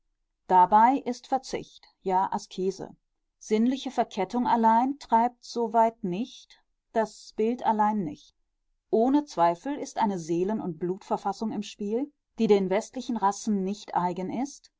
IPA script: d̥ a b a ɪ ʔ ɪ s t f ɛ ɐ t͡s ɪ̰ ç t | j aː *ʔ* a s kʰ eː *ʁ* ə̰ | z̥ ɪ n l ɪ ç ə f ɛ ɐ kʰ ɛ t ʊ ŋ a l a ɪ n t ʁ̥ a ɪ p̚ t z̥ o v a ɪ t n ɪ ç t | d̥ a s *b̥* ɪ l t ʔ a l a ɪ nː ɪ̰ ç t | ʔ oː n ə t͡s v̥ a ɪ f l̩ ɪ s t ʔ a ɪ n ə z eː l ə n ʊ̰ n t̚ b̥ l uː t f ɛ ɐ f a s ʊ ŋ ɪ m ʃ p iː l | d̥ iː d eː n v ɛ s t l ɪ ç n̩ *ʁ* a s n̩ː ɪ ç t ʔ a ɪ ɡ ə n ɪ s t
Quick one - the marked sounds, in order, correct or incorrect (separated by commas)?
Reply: correct, incorrect, correct, correct